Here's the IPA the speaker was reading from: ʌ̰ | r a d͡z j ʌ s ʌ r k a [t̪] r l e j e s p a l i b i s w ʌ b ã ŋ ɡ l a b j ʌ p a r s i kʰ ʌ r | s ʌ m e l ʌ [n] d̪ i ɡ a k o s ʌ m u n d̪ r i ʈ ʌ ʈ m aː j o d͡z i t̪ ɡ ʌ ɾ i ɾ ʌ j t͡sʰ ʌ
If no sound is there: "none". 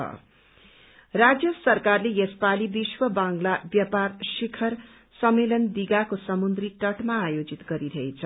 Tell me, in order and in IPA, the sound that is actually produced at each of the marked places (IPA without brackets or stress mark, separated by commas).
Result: none, n